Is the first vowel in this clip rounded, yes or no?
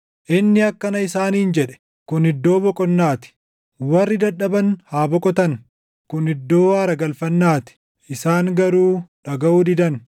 no